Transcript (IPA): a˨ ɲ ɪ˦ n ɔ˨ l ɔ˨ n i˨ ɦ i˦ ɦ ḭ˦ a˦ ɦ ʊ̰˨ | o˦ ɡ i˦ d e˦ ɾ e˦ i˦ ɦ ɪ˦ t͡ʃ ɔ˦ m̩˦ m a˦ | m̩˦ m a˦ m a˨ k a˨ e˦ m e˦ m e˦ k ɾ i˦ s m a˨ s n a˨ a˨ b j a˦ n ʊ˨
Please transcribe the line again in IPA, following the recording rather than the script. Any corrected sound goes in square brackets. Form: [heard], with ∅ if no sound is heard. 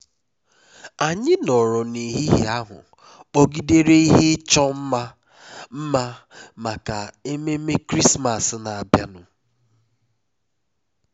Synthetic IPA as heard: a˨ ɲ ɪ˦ n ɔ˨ [ɾ] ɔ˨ n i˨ ɦ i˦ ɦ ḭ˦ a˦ ɦ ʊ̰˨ | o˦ ɡ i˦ d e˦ ɾ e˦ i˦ ɦ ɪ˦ t͡ʃ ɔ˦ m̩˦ m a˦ | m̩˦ m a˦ m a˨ k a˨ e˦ m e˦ m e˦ k ɾ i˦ s m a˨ s n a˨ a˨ b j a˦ n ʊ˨